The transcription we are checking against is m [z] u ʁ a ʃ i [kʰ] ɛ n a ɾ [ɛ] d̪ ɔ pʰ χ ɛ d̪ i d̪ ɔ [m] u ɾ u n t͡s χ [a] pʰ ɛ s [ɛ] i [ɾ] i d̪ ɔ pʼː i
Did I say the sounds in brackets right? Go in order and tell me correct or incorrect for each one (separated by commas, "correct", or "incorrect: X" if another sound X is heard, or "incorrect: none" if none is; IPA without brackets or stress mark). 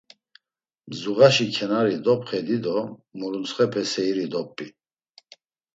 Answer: correct, correct, incorrect: i, correct, incorrect: ɛ, correct, correct